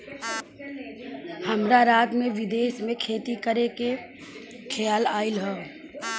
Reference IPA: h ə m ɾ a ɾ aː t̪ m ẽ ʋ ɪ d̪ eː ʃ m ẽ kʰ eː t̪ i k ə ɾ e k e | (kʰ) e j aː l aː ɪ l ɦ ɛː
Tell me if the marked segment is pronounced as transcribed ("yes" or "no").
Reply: yes